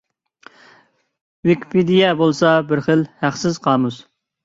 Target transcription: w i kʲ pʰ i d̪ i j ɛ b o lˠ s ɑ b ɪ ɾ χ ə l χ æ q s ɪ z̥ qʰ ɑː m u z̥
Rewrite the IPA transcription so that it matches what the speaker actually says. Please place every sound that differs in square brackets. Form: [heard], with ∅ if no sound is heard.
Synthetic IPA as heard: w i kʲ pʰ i d̪ i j ɛ b o lˠ s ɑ b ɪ ɾ χ ə l [h] æ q s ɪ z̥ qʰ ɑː m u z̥